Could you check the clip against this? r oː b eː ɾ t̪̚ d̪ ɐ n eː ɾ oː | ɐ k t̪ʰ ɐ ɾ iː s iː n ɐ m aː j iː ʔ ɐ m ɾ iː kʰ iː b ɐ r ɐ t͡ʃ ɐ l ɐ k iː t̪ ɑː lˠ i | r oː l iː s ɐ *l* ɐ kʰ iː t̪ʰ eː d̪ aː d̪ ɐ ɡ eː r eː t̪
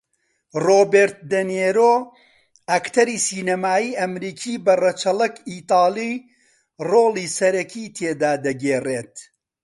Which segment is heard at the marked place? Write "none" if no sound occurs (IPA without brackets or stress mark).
ɾ